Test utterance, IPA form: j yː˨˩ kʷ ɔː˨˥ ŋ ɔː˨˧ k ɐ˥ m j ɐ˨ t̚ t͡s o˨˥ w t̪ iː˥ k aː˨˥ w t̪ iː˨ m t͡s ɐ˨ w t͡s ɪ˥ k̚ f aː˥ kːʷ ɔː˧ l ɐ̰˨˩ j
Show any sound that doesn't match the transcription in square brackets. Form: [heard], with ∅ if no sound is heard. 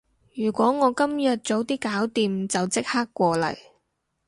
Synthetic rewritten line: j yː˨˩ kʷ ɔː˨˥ ŋ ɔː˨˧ k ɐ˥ m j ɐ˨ t̚ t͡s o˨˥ w t̪ iː˥ k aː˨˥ w t̪ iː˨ m t͡s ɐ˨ w t͡s ɪ˥ k̚ [h] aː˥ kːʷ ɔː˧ l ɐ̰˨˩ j